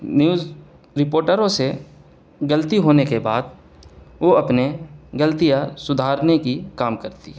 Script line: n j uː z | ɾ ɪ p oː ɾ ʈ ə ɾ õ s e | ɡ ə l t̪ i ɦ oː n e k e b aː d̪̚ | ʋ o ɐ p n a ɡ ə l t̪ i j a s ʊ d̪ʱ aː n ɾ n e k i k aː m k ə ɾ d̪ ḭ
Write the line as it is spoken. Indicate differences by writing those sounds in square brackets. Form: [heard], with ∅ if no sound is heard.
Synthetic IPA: n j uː z | ɾ ɪ p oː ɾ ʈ ə ɾ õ s e | ɡ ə l t̪ i ɦ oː n e k e b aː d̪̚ | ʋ o ɐ p n [e] ɡ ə l t̪ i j a s ʊ d̪ʱ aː [∅] ɾ n e k i k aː m k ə ɾ [t̪] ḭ